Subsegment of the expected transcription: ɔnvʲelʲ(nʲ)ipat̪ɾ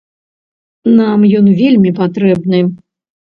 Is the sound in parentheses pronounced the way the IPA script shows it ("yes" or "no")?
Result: no